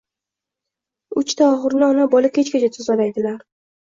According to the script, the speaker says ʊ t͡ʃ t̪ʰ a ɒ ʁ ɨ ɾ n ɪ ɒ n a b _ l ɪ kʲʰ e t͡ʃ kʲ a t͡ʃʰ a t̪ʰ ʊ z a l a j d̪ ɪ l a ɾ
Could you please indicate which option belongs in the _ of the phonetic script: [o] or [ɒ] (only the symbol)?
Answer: ɒ